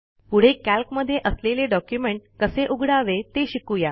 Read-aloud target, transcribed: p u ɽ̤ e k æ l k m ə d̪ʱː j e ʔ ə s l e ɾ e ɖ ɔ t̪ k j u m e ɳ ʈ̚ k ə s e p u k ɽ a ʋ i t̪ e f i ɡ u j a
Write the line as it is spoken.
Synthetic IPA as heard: p u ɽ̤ e k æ l k m ə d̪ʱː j e ʔ ə s l e l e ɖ ɔ k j u m e ɳ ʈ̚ k ə s e ʔ u ɡ ɽ a ʋ e t̪ e ɕ i k u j a